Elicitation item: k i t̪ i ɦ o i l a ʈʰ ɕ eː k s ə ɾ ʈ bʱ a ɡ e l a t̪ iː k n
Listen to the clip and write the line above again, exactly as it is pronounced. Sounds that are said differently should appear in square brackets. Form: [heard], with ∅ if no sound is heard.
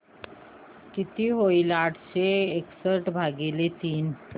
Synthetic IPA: k i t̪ i ɦ o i l a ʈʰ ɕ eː k s ə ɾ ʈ bʱ a ɡ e l [e] t̪ iː [∅] n